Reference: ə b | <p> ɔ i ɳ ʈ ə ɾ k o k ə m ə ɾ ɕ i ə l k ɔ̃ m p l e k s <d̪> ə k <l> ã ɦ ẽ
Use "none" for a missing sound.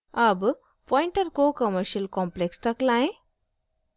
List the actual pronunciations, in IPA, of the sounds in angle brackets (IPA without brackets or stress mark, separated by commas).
p, t̪, l